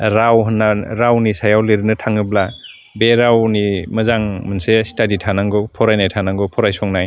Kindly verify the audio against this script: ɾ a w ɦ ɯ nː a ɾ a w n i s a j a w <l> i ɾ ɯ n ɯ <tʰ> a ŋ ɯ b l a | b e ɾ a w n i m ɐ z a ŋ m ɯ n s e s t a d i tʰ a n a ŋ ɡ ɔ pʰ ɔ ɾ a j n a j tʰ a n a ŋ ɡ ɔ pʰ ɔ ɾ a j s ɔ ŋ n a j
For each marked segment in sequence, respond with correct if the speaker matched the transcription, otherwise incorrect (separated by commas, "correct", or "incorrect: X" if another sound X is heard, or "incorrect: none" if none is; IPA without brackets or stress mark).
correct, correct